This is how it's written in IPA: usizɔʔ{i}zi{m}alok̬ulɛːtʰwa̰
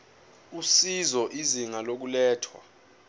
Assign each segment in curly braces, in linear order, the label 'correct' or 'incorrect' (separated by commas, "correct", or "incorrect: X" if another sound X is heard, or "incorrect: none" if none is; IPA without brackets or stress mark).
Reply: correct, incorrect: ŋ